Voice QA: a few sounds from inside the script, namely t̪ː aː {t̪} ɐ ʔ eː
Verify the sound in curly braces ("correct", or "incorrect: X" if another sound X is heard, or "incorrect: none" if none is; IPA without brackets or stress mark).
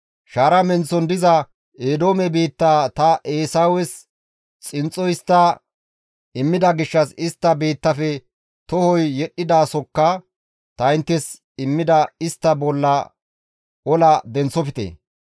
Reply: correct